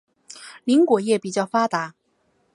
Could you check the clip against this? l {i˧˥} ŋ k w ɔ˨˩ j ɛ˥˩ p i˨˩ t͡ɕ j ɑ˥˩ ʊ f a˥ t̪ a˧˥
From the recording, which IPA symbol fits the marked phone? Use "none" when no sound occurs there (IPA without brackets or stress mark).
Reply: i˧˥